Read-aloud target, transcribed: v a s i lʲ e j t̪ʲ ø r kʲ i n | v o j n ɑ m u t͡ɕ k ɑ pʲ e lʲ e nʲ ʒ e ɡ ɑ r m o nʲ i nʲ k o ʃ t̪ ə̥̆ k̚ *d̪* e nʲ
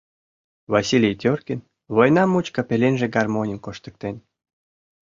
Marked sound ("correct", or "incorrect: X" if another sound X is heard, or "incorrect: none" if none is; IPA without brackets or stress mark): incorrect: t̪